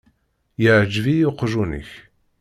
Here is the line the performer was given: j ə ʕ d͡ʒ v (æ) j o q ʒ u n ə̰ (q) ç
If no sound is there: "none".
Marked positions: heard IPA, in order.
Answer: i, none

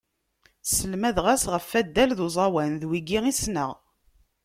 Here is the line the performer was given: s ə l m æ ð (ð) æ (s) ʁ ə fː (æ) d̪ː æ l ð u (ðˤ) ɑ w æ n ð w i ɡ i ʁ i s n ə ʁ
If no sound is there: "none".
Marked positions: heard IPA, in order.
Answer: ʁ, s, æ, zˤ

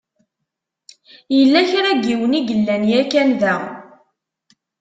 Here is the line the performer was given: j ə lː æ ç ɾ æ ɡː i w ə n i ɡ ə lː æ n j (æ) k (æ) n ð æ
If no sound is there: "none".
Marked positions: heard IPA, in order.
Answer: æ, æ

